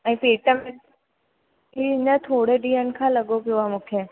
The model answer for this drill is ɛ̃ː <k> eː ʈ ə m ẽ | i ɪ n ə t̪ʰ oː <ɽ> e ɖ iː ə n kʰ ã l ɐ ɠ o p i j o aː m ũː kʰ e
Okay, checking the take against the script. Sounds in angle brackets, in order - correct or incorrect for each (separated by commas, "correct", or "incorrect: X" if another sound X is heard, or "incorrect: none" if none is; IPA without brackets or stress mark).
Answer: incorrect: p, correct